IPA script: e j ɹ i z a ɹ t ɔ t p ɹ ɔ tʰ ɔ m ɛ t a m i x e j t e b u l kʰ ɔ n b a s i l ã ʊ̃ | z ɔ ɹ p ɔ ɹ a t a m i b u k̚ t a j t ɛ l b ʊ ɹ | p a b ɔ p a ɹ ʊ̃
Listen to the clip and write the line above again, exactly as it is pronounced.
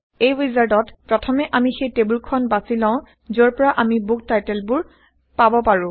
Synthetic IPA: e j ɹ i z a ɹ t ɔ t p ɹ ɔ tʰ ɔ m ɛ ʔ a m i x e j t e b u l kʰ ɔ n b a s i l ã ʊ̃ | z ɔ ɹ p ɔ ɹ a ʔ a m i b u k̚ t a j t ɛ l b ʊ ɹ | p a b ɔ p a ɹ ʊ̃